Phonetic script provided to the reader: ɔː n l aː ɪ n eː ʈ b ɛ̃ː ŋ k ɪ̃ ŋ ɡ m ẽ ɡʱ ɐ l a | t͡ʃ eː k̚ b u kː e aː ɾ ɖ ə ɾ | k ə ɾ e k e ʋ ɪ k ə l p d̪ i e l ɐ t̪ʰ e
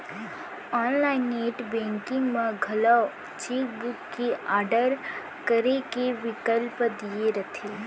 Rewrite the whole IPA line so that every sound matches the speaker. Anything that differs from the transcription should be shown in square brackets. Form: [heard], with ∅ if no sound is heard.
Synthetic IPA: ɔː n l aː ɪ n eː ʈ b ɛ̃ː ŋ k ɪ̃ ŋ ɡ m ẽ ɡʱ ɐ l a | t͡ʃ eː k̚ b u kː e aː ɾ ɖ ə ɾ | k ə ɾ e k e ʋ ɪ k ə l p d̪ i e [ɾ] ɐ t̪ʰ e